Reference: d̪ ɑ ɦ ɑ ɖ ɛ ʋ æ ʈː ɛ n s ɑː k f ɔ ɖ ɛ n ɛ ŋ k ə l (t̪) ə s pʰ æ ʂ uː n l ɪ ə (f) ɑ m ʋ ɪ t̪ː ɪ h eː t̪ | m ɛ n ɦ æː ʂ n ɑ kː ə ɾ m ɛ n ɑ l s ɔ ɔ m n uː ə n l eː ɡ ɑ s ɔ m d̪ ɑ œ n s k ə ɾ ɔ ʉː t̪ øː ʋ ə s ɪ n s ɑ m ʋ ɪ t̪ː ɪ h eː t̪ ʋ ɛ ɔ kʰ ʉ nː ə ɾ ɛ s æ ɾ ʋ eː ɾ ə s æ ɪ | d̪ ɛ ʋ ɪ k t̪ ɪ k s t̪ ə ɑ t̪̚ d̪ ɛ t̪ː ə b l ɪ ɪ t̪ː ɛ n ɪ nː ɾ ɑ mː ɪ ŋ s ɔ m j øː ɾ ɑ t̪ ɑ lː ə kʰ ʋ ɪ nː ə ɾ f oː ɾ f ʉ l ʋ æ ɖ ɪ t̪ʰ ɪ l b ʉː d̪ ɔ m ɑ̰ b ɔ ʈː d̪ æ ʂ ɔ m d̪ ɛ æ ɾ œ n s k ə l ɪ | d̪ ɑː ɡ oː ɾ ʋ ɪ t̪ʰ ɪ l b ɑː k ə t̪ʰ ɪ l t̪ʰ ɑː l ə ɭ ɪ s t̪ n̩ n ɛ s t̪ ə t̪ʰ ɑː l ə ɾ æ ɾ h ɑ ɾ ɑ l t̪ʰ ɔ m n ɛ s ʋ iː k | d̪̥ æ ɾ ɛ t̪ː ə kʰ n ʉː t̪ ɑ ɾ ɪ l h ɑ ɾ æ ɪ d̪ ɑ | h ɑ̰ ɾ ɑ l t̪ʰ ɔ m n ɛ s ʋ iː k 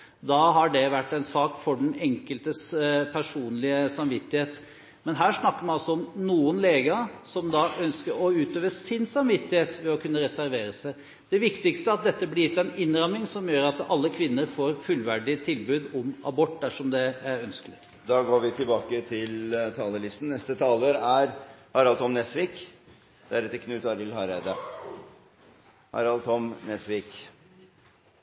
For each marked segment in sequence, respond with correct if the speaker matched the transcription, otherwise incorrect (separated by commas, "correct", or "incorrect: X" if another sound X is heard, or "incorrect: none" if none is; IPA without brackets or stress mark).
correct, incorrect: s